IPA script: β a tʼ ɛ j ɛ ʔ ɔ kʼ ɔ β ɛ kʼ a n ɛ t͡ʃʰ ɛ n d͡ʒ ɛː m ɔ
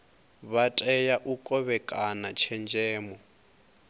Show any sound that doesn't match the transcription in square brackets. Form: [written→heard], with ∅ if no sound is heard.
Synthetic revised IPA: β a tʼ ɛ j [ɛ→a] ʔ [ɔ→u] kʼ ɔ β ɛ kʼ a n [ɛ→a] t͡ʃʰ ɛ n d͡ʒ ɛː m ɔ